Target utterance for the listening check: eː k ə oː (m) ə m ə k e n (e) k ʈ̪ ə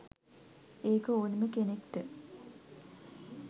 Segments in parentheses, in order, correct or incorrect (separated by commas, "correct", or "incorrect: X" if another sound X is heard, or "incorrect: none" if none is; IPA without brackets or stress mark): incorrect: n, correct